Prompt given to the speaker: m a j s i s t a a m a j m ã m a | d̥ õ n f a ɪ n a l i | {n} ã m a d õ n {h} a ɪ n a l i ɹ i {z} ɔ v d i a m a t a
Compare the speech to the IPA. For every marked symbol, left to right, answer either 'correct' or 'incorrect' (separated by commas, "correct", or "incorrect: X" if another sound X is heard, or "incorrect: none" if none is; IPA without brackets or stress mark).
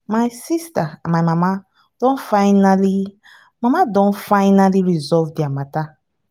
incorrect: m, incorrect: f, correct